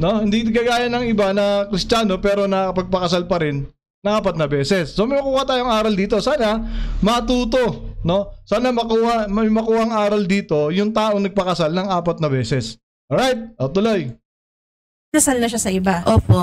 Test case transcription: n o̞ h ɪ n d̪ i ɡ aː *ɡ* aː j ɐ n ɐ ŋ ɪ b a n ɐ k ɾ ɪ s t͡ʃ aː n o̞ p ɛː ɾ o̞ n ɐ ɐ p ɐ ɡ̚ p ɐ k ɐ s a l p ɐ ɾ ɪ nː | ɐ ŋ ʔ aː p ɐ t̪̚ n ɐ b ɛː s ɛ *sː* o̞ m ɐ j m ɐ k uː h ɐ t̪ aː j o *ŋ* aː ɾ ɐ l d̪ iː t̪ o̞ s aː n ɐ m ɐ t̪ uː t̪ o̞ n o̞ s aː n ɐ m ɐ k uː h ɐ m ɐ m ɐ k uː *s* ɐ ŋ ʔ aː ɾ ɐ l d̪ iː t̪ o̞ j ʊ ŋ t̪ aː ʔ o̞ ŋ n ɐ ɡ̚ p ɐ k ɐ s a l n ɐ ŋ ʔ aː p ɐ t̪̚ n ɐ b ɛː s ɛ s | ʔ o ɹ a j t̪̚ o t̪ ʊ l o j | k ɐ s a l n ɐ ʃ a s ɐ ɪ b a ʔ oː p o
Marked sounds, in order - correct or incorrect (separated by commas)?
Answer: correct, correct, correct, incorrect